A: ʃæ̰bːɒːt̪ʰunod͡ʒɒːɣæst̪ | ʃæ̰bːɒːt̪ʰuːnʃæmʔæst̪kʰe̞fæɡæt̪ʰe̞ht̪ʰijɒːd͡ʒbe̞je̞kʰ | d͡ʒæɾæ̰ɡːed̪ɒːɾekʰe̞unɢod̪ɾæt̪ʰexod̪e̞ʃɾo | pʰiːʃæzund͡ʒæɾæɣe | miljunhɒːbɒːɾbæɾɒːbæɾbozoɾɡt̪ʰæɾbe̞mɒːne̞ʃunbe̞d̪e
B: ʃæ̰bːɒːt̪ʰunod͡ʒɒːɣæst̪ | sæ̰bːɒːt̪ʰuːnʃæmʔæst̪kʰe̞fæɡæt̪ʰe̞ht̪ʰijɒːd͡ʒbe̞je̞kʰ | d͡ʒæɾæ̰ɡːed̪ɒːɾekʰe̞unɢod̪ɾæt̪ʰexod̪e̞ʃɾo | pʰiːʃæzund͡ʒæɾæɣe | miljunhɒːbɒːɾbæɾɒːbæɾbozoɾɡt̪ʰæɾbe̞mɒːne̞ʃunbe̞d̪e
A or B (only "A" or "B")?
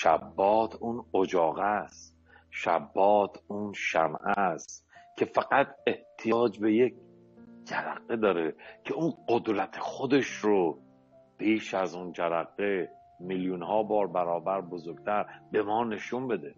A